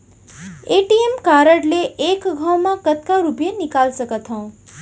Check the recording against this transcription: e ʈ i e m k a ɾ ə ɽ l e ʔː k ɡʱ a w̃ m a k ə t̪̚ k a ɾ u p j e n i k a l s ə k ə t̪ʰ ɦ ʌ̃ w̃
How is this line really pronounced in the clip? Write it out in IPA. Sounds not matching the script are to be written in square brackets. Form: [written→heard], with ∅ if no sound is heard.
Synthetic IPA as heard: e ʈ i e m k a ɾ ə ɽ l e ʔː k ɡʱ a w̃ m a k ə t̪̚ k a ɾ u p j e n i k a l s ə k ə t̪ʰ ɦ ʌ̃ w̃